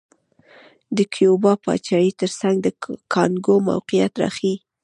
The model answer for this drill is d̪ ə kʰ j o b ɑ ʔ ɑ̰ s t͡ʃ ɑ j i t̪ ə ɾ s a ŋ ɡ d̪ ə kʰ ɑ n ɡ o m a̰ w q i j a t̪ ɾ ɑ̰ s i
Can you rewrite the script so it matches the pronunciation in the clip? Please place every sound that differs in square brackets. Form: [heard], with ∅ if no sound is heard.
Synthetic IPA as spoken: d̪ ə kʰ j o b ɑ [p] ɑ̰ [∅] t͡ʃ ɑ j i t̪ ə ɾ s a ŋ ɡ d̪ ə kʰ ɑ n ɡ o m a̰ w q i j a t̪ ɾ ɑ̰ [x] i